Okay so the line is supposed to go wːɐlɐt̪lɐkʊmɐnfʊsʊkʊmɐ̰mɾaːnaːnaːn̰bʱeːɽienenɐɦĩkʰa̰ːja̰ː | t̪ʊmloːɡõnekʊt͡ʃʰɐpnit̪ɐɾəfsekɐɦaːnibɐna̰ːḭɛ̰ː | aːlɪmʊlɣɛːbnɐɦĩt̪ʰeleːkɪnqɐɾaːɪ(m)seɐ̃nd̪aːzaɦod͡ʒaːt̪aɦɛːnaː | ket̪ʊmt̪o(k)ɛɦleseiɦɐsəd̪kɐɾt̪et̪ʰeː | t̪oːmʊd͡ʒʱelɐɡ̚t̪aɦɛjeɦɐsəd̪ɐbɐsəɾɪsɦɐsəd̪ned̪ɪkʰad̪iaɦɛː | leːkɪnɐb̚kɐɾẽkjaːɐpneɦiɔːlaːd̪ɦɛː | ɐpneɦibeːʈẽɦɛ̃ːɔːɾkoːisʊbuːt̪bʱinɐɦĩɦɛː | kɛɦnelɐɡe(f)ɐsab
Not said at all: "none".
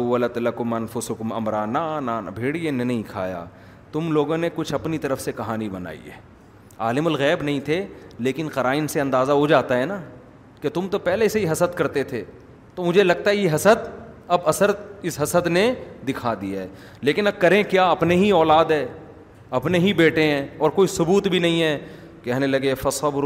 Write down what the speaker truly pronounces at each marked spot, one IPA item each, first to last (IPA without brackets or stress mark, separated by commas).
n, p, f